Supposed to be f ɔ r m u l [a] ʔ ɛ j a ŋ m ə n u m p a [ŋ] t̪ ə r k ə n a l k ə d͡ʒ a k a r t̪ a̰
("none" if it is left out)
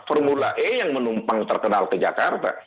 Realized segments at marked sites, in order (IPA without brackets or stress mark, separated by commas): a, ŋ